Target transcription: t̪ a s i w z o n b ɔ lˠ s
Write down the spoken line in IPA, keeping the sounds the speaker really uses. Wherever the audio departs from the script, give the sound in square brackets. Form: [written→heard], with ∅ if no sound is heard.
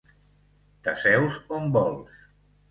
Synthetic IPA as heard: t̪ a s [i→ɛ] w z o [n→m] b ɔ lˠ s